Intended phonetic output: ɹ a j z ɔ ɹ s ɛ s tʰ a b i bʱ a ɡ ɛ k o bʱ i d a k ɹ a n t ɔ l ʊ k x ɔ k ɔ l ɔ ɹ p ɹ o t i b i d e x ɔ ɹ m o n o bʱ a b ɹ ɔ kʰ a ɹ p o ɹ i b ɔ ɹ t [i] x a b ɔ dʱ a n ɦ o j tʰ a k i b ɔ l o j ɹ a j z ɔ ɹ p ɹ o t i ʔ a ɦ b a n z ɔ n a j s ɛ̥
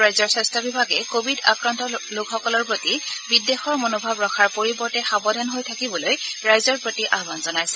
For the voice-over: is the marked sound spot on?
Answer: no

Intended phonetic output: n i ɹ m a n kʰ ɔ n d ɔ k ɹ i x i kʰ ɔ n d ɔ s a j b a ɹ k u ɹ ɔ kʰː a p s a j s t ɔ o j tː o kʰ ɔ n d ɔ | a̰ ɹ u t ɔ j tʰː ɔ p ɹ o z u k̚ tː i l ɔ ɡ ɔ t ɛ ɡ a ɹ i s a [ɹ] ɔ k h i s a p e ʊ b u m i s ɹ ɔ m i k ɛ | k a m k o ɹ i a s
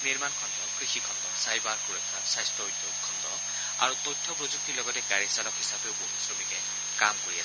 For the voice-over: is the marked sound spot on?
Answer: no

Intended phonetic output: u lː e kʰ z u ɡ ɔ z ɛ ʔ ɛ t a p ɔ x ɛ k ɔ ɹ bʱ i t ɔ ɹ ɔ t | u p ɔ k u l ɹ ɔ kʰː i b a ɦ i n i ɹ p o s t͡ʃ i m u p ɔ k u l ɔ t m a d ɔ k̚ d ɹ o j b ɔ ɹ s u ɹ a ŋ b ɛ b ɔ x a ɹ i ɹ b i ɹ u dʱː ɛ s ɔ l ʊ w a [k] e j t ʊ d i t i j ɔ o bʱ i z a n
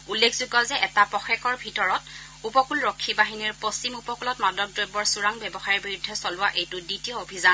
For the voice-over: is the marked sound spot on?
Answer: no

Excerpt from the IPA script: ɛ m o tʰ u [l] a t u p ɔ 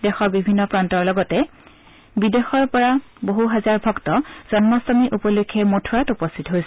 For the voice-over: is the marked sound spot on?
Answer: no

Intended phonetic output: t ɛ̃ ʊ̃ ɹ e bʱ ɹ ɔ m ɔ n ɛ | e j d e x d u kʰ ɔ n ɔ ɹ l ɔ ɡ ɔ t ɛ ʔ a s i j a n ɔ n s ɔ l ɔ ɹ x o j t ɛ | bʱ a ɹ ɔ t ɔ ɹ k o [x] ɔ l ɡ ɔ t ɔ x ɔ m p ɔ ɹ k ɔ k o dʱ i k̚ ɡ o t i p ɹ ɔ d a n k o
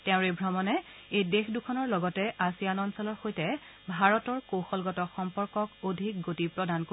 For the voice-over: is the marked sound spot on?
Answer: yes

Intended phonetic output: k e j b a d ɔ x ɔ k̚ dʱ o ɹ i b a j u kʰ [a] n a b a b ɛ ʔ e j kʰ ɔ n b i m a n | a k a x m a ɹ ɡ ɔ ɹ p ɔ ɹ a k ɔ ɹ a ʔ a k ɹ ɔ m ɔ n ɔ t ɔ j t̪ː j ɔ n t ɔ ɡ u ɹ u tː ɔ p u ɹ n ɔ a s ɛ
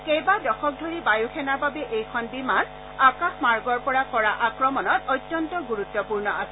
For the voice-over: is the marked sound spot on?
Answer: no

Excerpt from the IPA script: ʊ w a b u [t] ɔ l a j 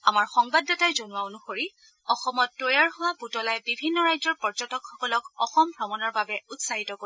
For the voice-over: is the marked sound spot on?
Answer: yes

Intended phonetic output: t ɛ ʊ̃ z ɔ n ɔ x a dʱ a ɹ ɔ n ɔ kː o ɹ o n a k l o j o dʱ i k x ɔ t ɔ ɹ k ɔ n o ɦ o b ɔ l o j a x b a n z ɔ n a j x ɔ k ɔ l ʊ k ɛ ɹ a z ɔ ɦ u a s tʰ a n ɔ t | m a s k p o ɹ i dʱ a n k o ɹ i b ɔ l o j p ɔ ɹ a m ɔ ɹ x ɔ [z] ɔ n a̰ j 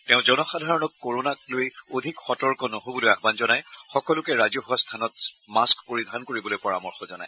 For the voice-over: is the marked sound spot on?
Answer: yes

